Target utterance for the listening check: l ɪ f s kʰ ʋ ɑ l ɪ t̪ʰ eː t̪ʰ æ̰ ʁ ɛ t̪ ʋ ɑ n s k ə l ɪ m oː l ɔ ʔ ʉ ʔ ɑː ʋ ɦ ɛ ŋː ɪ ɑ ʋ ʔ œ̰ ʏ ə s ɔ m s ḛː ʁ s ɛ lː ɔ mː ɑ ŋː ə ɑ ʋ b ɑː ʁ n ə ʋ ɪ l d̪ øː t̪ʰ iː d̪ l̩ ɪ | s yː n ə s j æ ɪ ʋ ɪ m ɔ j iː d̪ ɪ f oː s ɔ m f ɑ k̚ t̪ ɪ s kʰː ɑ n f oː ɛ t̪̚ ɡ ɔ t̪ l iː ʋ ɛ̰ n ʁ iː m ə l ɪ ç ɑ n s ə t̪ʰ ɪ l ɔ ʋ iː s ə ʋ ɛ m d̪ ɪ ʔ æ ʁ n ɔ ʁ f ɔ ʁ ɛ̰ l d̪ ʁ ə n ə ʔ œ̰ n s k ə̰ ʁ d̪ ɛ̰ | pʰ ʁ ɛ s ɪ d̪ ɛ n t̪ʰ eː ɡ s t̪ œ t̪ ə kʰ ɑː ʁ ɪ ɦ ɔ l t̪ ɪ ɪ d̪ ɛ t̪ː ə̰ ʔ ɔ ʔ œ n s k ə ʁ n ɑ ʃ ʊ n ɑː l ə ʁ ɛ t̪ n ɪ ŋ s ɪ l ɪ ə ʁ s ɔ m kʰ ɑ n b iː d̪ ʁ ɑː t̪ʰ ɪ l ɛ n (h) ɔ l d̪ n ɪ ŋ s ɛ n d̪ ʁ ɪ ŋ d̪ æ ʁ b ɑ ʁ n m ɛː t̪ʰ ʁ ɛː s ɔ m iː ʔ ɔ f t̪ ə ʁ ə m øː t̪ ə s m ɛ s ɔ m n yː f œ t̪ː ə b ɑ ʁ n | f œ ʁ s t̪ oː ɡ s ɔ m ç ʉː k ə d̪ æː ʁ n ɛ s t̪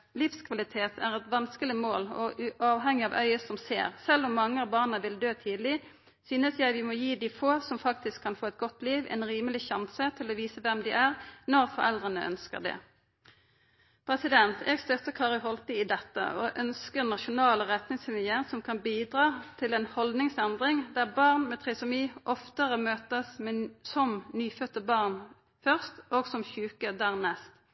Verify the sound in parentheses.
correct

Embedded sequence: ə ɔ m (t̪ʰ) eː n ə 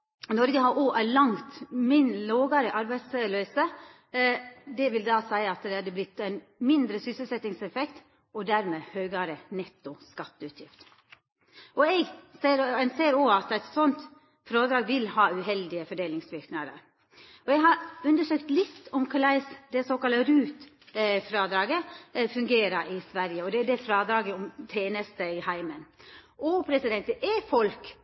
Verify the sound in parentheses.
correct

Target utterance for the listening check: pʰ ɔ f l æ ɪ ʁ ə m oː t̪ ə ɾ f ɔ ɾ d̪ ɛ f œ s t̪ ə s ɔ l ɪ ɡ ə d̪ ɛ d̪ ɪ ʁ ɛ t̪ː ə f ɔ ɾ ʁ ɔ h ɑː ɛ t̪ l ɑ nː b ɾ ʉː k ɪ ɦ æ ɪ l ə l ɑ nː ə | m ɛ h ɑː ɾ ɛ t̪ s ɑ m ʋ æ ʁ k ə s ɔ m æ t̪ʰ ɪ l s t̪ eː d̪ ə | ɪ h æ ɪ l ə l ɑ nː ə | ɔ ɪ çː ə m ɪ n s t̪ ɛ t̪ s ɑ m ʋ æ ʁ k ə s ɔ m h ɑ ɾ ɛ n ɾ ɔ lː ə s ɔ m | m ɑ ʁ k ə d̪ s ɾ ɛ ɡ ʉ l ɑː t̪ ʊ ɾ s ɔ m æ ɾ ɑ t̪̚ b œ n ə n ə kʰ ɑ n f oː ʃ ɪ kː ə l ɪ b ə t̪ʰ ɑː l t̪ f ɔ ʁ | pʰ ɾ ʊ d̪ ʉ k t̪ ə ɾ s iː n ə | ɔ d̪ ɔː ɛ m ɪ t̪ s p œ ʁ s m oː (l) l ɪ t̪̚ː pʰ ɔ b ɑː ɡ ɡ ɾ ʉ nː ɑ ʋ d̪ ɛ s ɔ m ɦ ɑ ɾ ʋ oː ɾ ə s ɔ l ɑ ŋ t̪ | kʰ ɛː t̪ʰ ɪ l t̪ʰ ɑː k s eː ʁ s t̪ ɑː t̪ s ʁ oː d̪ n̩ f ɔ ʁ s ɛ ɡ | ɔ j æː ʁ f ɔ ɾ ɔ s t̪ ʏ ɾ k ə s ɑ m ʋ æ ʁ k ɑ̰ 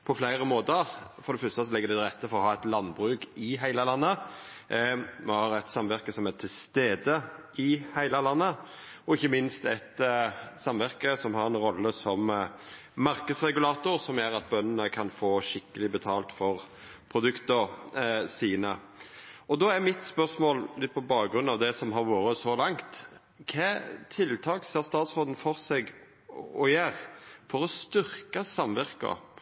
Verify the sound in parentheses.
correct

